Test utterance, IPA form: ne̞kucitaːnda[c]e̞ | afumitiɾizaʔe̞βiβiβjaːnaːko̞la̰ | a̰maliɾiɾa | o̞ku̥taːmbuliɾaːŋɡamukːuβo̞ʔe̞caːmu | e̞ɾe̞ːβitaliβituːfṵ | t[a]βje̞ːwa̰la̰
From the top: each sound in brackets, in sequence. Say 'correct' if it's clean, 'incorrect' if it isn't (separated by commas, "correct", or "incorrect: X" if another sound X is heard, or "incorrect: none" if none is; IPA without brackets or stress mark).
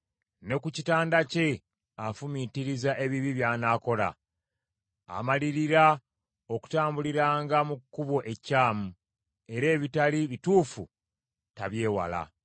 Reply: correct, correct